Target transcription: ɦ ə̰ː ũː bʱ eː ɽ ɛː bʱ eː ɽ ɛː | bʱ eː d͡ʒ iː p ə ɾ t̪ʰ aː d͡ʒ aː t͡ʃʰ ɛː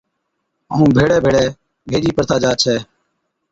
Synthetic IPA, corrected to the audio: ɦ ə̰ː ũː bʱ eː ɽ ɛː bʱ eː ɽ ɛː | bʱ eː d͡ʒ iː p ə ɾ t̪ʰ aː d͡ʒ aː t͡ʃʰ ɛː

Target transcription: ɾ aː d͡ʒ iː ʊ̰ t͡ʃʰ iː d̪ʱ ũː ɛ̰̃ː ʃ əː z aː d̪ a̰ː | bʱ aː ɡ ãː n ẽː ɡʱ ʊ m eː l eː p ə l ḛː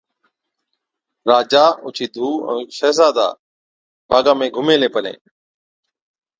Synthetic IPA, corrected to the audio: ɾ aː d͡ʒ aː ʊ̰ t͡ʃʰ iː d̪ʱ uː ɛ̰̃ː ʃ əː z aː d̪ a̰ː | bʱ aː ɡ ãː m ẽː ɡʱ ʊ m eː l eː p ə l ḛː

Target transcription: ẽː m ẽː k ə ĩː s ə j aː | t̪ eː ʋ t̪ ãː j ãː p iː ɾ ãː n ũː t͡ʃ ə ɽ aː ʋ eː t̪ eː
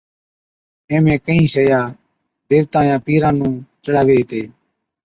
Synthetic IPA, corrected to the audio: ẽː m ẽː k ə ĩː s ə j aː | d̪ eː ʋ t̪ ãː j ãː p iː ɾ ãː n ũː t͡ʃ ə ɽ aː ʋ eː t̪ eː

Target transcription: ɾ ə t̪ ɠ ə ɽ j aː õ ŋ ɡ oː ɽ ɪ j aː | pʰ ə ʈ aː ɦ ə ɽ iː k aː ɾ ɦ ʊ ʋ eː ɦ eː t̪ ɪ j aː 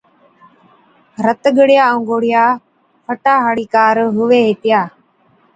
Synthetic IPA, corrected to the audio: ɾ ə t̪ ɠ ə ɽ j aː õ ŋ ɡ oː ɽ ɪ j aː | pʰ ə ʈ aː ɦ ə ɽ iː k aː ɾ ɦ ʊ ʋ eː ɦ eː t̪ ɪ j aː

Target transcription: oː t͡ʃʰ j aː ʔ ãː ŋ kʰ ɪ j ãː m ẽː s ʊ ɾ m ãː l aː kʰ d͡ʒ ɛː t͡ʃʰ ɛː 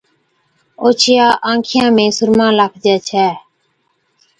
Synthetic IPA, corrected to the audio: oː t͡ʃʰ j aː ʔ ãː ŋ kʰ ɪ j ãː m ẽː s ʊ ɾ m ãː l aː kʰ d͡ʒ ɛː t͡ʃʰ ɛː

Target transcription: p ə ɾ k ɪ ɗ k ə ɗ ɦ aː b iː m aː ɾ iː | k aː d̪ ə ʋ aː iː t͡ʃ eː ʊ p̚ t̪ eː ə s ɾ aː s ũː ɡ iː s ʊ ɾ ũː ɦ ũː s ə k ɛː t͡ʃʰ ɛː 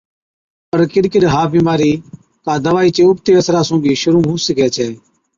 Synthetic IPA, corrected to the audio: p ə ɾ k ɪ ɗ k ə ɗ ɦ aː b iː m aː ɾ iː | k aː d̪ ə ʋ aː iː t͡ʃ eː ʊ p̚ t̪ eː ə s ɾ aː s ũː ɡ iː ʃ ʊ ɾ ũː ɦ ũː s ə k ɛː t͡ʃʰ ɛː

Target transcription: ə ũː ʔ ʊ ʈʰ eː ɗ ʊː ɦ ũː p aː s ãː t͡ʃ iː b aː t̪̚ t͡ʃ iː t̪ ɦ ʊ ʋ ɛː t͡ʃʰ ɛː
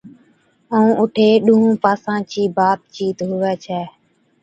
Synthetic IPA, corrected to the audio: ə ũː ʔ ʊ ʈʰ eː ɗ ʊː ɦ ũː p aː s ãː t͡ʃ iː b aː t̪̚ t͡ʃ iː t̪ ɦ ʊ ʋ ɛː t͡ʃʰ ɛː

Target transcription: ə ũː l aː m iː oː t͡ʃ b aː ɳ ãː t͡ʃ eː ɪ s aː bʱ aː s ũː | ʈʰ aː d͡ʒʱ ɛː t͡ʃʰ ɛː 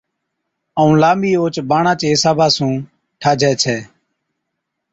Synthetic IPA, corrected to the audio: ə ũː l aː m iː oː t͡ʃ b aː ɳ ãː t͡ʃ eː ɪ s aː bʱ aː s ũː | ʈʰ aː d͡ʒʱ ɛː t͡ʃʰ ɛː

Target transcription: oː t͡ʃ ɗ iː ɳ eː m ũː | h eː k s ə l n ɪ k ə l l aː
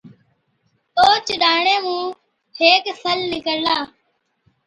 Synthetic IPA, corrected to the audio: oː t͡ʃ ɗ aː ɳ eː m ũː | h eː k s ə l n ɪ k ə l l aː

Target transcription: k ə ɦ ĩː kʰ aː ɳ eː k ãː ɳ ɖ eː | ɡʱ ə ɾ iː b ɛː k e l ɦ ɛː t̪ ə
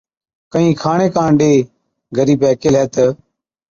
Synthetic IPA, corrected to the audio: k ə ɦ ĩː kʰ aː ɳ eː k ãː ɳ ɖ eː | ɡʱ ə ɾ iː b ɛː k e l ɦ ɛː t̪ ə

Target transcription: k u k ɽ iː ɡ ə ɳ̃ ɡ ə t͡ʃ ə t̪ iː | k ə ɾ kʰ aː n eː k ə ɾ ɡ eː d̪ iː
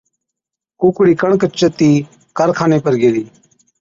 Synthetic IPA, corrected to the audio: k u k ɽ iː k ə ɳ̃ k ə t͡ʃ ə t̪ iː | k ə ɾ kʰ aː n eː p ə ɾ ɡ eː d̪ iː

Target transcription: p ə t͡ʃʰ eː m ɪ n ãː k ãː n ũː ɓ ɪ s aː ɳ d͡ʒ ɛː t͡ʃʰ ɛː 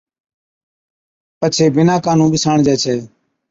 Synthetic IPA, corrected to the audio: p ə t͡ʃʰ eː b ɪ n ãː k aː n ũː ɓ ɪ s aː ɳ d͡ʒ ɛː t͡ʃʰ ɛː

